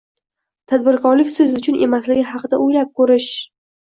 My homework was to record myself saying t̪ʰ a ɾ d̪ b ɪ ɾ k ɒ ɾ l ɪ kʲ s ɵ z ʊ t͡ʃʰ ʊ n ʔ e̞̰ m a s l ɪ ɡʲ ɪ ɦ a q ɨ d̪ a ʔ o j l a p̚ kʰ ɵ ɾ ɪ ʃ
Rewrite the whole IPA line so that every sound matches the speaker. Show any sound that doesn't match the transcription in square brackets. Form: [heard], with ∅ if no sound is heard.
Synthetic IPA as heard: t̪ʰ a [∅] d̪ b ɪ ɾ k ɒ ɾ l ɪ kʲ s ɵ z ʊ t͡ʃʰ ʊ n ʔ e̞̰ m a s l ɪ ɡʲ ɪ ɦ [ɑ] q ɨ d̪ a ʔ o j l a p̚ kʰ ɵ ɾ ɪ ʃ